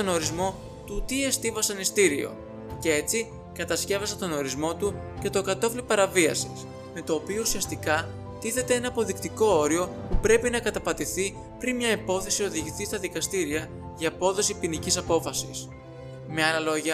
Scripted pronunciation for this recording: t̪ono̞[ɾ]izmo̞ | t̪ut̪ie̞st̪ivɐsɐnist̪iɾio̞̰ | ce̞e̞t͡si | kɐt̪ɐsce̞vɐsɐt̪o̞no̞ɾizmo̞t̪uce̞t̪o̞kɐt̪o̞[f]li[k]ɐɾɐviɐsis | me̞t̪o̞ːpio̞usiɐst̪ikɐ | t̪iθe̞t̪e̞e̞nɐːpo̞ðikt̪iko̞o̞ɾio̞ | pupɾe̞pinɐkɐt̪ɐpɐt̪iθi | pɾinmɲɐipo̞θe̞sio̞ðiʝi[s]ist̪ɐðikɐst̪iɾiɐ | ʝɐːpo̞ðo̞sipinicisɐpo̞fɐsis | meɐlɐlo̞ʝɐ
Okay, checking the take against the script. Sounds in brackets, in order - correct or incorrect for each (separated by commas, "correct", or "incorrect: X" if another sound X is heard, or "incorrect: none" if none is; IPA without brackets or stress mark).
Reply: correct, correct, incorrect: p, incorrect: θ